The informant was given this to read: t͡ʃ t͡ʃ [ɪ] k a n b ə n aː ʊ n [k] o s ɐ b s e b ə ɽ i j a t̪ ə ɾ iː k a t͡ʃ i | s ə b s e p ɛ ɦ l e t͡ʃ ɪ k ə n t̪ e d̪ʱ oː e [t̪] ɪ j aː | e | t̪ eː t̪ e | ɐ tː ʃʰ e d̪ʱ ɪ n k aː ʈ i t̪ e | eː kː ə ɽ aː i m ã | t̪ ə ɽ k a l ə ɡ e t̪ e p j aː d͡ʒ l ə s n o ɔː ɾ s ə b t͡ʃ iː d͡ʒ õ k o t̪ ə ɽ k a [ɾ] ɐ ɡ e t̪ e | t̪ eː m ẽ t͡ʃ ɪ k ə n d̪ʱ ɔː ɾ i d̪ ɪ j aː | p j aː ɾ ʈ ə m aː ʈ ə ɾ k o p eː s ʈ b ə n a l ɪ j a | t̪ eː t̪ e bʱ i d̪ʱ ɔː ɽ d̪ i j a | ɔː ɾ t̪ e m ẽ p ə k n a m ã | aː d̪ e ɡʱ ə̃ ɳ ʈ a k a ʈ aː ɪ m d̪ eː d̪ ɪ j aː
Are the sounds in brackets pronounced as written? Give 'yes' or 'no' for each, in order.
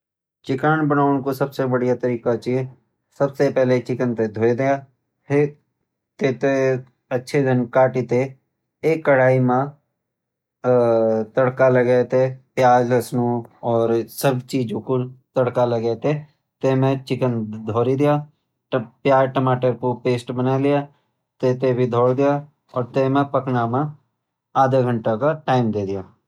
yes, yes, no, no

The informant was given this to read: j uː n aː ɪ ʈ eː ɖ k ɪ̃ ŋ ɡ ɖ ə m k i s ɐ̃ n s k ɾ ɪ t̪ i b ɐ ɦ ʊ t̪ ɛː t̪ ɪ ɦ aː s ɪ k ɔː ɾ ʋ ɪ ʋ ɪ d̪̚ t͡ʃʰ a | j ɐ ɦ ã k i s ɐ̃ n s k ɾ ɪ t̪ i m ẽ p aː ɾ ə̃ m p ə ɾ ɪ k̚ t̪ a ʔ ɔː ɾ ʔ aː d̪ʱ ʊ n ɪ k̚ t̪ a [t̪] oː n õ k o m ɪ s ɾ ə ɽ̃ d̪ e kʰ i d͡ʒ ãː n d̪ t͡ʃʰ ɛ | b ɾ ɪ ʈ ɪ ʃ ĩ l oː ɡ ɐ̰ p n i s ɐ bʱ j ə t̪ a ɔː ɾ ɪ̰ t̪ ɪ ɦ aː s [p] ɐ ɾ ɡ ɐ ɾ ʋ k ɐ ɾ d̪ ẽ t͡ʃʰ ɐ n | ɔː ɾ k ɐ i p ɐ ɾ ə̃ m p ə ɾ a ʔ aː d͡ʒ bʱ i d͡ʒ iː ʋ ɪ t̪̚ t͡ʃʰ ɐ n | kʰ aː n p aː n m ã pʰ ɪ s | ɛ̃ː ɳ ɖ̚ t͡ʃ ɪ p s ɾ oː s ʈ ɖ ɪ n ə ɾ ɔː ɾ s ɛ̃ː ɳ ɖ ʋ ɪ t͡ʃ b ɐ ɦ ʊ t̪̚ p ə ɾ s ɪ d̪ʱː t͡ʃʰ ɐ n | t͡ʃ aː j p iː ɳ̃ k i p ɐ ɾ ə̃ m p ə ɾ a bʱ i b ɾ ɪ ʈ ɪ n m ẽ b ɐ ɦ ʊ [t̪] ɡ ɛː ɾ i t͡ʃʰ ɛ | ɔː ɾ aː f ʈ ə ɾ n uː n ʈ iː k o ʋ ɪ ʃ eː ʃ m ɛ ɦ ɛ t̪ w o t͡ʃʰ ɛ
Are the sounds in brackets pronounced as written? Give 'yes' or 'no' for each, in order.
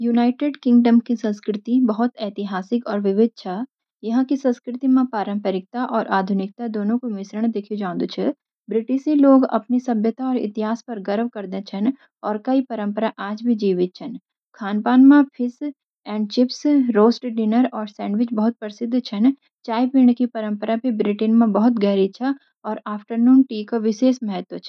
no, yes, yes

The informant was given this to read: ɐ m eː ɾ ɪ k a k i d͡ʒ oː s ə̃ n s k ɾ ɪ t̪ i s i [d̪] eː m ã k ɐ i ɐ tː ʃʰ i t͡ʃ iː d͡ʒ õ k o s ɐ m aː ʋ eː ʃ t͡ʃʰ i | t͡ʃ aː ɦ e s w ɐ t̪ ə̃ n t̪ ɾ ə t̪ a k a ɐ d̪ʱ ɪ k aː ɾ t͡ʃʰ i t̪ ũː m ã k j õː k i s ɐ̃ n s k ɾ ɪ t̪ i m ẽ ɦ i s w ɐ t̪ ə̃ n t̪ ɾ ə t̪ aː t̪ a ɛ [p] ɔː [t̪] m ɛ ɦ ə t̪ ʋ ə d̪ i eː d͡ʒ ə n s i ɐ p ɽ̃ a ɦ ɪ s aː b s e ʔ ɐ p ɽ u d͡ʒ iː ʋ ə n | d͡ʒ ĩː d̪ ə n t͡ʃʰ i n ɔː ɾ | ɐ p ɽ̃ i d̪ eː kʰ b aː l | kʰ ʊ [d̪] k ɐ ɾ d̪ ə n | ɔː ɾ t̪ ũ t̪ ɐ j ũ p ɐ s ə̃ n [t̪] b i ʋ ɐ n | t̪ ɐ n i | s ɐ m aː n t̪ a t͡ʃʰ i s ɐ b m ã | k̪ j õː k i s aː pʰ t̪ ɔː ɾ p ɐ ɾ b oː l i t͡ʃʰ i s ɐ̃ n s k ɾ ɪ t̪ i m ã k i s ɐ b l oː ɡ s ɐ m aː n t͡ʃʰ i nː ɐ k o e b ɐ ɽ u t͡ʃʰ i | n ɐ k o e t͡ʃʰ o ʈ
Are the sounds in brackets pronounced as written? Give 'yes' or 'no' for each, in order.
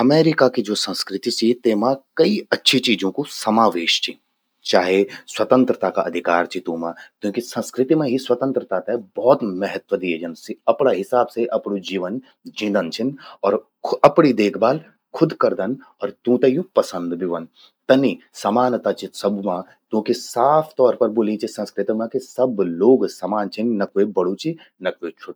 no, no, yes, yes, no

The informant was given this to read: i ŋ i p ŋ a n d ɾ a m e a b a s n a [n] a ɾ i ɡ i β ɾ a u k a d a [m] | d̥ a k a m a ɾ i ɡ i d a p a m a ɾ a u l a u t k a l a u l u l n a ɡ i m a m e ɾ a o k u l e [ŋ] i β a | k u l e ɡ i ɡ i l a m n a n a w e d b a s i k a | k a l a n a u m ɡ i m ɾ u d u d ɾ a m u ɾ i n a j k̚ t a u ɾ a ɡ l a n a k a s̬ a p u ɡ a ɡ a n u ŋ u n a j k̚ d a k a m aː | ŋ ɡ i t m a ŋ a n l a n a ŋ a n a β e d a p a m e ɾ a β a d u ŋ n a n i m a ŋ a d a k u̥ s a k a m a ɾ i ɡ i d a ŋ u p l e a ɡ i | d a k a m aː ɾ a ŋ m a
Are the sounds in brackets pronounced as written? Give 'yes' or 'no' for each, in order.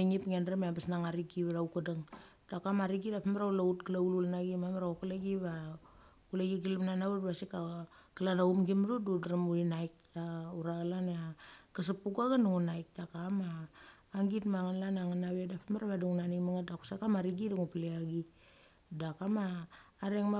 no, no, no

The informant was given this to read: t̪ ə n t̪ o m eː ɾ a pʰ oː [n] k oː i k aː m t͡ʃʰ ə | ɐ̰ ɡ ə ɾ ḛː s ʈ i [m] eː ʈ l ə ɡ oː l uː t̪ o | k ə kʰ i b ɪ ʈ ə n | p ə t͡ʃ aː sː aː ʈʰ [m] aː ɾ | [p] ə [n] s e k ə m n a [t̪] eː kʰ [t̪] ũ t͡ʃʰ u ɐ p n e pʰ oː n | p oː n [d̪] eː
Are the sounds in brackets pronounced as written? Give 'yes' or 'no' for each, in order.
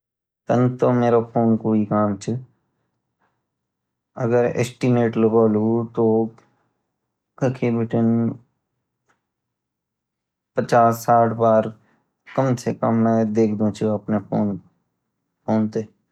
yes, yes, no, no, no, no, no, no

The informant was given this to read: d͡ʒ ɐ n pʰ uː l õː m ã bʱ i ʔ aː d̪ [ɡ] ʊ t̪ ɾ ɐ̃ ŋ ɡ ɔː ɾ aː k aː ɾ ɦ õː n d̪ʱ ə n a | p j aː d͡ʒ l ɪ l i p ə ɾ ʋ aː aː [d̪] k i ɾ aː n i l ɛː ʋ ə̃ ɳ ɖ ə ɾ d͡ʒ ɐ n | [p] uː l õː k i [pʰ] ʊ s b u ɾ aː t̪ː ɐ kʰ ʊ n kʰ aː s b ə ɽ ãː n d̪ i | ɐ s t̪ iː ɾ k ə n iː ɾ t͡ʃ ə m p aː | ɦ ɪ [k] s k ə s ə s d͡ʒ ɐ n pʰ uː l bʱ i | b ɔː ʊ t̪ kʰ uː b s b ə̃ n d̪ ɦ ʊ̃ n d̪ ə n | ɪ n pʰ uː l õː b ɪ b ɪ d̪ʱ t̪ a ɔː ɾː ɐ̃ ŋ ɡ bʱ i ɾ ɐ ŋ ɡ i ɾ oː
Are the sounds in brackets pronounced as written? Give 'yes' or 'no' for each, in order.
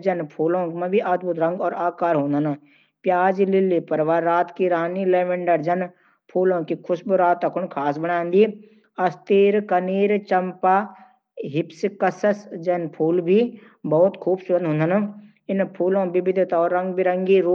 no, no, no, no, no

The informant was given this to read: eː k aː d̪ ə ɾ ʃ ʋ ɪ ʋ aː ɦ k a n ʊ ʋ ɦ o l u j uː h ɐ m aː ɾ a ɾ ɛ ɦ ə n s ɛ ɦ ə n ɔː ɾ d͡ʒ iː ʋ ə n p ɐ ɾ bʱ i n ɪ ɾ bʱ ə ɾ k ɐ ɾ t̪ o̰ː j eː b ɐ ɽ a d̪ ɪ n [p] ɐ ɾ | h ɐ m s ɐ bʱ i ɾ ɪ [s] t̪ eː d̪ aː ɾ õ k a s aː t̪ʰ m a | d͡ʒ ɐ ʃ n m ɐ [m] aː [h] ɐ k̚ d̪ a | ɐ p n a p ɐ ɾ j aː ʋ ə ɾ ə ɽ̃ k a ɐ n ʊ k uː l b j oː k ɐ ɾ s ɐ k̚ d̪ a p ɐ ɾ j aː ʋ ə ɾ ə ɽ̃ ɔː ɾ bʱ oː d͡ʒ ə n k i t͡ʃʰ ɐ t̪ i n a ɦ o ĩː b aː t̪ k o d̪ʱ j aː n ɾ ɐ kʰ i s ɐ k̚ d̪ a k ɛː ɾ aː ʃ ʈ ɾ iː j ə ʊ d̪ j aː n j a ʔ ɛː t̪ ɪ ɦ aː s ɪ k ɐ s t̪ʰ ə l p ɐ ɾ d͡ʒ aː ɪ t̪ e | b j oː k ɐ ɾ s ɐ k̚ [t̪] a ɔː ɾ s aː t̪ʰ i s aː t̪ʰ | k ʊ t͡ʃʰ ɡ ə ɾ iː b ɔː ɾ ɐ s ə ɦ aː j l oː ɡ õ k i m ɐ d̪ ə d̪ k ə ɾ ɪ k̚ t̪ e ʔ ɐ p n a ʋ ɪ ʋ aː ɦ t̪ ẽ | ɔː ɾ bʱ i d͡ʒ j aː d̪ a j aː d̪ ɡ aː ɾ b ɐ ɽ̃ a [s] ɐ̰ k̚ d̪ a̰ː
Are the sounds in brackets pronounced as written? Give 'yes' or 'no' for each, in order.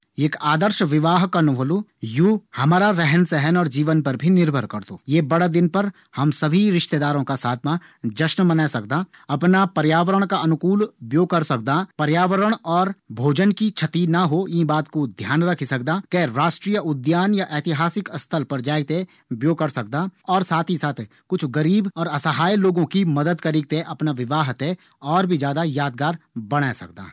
yes, no, no, no, no, yes

